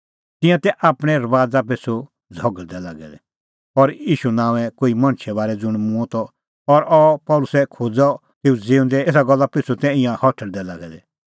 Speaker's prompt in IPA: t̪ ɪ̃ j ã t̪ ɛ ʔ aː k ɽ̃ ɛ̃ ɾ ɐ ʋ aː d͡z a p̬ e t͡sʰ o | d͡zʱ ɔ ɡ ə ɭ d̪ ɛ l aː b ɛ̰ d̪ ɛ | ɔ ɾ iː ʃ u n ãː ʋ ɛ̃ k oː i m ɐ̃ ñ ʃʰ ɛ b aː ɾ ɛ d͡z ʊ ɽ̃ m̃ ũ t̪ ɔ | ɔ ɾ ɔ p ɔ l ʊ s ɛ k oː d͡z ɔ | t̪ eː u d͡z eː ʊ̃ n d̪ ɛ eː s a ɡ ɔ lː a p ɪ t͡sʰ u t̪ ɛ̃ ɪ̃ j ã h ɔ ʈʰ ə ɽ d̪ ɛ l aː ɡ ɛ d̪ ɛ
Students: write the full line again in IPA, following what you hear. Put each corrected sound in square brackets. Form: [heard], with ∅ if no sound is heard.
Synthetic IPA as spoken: t̪ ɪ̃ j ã t̪ ɛ ʔ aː [p] ɽ̃ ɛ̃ ɾ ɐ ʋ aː d͡z a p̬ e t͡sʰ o | d͡zʱ ɔ ɡ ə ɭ d̪ ɛ l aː [ɡ] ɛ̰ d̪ ɛ | ɔ ɾ iː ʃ u n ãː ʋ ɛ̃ k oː i m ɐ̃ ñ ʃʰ ɛ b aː ɾ ɛ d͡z ʊ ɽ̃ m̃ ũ t̪ ɔ | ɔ ɾ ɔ p ɔ l ʊ s ɛ [kʰ] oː d͡z ɔ | t̪ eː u d͡z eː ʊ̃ n d̪ ɛ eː s a ɡ ɔ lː a p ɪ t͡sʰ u t̪ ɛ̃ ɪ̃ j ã h ɔ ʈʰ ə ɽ d̪ ɛ l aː ɡ ɛ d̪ ɛ